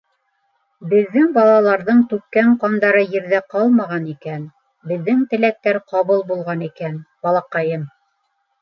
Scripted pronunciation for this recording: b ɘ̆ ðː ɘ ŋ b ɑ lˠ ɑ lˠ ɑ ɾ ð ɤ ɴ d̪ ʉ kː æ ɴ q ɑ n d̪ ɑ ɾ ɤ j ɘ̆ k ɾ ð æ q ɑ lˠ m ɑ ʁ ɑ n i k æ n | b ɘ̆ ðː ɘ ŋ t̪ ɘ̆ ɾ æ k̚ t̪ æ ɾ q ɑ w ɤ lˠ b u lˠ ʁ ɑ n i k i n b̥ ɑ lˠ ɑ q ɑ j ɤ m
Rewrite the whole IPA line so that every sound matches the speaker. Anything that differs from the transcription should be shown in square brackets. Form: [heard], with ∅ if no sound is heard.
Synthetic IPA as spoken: b ɘ̆ ðː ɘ ŋ b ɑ lˠ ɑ lˠ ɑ ɾ ð ɤ ɴ [t̪] ʉ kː æ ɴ q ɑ n d̪ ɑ ɾ ɤ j ɘ̆ [∅] ɾ ð æ q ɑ lˠ m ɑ ʁ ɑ n i k æ n | b ɘ̆ ðː ɘ ŋ t̪ ɘ̆ [l] æ k̚ t̪ æ ɾ q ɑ [β] ɤ lˠ b u lˠ ʁ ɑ n i k [æ] n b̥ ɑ lˠ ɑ q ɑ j ɤ m